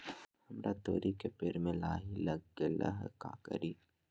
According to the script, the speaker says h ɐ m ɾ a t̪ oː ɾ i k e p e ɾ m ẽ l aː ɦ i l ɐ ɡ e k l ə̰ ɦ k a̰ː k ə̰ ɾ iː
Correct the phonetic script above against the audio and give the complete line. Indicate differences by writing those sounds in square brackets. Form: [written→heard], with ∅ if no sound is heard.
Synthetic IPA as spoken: h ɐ m ɾ a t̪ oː ɾ i k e p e ɾ m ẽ l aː ɦ i l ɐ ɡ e [k→∅] l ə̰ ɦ k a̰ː k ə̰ ɾ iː